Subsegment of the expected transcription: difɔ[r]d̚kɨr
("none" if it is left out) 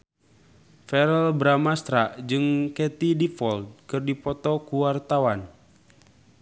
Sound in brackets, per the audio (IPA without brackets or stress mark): l